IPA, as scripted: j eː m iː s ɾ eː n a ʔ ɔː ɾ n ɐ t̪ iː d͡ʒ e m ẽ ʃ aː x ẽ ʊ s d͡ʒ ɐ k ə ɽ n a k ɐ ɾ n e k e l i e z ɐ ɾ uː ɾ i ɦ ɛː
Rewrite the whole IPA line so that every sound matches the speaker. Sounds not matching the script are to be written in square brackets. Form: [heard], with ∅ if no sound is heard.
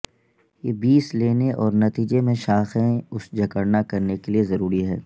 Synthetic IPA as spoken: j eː [b] iː s [l] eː n [e] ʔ ɔː ɾ n ɐ t̪ iː d͡ʒ e m ẽ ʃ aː x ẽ ʊ s d͡ʒ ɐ k ə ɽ n a k ɐ ɾ n e k e l i e z ɐ ɾ uː ɾ i ɦ ɛː